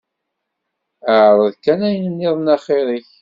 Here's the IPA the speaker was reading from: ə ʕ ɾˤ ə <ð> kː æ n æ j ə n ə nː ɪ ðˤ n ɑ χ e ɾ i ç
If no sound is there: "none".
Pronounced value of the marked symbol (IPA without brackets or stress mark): ð